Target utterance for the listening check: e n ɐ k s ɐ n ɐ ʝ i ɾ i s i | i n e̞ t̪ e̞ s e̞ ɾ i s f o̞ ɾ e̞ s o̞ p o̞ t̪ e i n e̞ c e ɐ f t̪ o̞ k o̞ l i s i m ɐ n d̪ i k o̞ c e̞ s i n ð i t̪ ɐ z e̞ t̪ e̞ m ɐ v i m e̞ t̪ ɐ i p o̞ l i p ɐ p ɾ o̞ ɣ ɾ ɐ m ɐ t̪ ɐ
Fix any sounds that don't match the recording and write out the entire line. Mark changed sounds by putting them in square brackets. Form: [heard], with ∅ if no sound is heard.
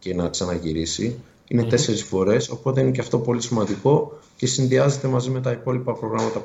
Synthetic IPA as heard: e n ɐ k s ɐ n ɐ ʝ i ɾ i s i | i n e̞ t̪ e̞ s e̞ ɾ i s f o̞ ɾ e̞ s o̞ p o̞ t̪ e i n e̞ c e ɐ f t̪ o̞ [p] o̞ l i s i m ɐ n d̪ i k o̞ c e̞ s i n ð i [∅] ɐ z e̞ t̪ e̞ m ɐ [z] i m e̞ t̪ ɐ i p o̞ l i p ɐ p ɾ o̞ ɣ ɾ ɐ m ɐ t̪ ɐ